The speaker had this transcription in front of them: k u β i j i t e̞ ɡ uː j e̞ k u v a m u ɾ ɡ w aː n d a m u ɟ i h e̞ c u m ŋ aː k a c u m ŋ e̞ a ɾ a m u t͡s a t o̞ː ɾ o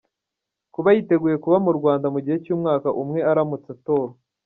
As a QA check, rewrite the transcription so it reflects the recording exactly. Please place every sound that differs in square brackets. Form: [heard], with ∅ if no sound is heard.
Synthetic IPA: k u β [a] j i t e̞ ɡ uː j e̞ k u [β] a m u ɾ ɡ w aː n d a m u ɟ i h e̞ c [uː] m ŋ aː k a [ʔ] u m ŋ e̞ a ɾ a m u t͡s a t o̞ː ɾ o